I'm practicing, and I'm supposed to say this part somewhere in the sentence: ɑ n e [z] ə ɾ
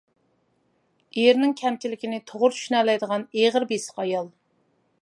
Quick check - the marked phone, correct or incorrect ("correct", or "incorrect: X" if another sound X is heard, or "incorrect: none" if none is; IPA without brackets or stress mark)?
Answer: incorrect: ʁ